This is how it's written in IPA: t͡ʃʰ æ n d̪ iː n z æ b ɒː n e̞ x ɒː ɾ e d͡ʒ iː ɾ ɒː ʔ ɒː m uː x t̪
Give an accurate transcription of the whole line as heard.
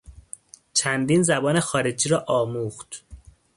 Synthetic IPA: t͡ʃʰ æ n d̪ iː n z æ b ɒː n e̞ x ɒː ɾ e d͡ʒ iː ɾ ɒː ʔ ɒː m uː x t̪